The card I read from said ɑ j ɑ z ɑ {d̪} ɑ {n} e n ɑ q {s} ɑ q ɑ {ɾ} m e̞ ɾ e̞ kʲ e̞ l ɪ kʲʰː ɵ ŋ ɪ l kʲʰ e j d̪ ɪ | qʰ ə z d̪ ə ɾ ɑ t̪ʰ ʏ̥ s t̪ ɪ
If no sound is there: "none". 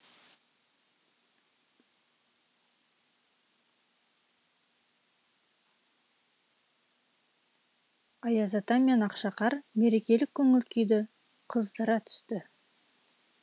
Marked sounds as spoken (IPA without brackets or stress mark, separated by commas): t̪, m, ʃ, ɾ